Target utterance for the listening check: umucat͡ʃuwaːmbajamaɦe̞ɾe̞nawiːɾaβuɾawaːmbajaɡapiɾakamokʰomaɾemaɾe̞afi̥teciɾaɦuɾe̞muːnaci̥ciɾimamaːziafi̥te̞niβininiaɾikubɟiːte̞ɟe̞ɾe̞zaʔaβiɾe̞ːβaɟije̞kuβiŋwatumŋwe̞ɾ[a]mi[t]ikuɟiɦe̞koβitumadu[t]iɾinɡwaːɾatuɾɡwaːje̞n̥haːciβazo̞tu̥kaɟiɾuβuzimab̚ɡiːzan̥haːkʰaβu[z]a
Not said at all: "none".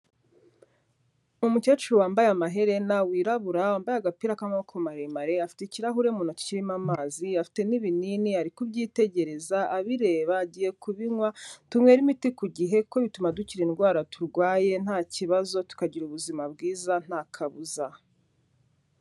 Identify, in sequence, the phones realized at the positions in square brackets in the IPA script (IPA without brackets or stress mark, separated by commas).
i, t, c, z